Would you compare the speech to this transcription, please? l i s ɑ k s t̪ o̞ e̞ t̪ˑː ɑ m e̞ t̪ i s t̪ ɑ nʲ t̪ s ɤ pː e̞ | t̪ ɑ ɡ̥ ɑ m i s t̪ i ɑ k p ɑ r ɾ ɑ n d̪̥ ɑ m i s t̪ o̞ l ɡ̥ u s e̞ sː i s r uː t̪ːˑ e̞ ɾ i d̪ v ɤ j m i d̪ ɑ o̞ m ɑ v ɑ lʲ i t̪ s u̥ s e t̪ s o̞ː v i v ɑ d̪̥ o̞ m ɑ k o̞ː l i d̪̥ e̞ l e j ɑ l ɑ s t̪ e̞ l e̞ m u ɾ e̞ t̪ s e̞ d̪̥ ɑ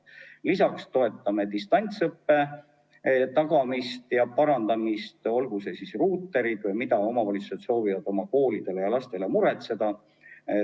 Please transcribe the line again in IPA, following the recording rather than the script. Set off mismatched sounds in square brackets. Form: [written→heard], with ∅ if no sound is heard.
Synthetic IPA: l i s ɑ k s t̪ o̞ e̞ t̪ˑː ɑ m e̞ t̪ i s t̪ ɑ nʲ t̪ s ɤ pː e̞ | t̪ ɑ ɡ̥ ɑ m i s t̪ [i→j] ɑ [k→∅] p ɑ [r→∅] ɾ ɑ n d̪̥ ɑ m i s t̪ o̞ l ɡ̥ u s e̞ [sː→s] i s r uː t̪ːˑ e̞ ɾ i d̪ v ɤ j m i d̪ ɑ o̞ m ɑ v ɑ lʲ i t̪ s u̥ s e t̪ s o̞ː v i v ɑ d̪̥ o̞ m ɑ k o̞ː l i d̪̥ e̞ l e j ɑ l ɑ s t̪ e̞ l e̞ m u ɾ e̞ t̪ s e̞ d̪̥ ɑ

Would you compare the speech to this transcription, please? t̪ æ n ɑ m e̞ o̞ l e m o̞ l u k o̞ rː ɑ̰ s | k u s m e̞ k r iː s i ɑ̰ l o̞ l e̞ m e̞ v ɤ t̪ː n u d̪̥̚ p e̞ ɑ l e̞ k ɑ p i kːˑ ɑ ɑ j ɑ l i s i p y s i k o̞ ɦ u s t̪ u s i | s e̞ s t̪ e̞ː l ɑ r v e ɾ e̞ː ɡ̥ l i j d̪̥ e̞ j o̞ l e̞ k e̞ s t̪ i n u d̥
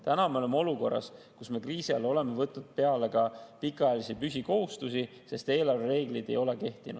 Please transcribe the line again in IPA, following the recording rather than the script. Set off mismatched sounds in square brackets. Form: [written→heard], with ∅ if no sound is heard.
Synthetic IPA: t̪ æ n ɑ m e̞ o̞ l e m o̞ l u k o̞ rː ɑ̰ s | k u s m e̞ k r iː s i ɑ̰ l o̞ l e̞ m e̞ v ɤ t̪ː n u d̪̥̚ p e̞ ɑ l e̞ k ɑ p i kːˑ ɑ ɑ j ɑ l i s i p y s i k o̞ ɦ u s t̪ u s i | s e̞ s t̪ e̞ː l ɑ r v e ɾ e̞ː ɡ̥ l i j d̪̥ e̞ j o̞ l e̞ k e̞ [s→h] t̪ i n u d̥

